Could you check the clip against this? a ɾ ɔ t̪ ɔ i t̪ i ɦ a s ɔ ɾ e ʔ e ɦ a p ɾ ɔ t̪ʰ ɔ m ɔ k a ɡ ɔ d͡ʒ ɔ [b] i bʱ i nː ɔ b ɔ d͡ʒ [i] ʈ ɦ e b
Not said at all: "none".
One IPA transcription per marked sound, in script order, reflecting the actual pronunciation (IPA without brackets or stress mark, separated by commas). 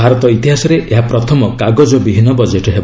b, e